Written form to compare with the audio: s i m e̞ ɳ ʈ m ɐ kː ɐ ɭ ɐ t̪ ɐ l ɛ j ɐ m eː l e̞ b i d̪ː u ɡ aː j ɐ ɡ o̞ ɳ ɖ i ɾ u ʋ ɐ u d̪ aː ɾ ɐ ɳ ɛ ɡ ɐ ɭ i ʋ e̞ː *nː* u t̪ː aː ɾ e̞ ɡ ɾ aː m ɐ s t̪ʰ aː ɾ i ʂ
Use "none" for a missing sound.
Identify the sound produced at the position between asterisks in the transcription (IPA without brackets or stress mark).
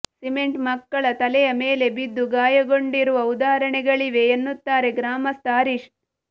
nː